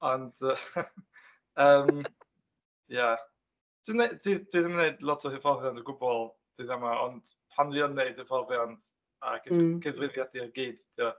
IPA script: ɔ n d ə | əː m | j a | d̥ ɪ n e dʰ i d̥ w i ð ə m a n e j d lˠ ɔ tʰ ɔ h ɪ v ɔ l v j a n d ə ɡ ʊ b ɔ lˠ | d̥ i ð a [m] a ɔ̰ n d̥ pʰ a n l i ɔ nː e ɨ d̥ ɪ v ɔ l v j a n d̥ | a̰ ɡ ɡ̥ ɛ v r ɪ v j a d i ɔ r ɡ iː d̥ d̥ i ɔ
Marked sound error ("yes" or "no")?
no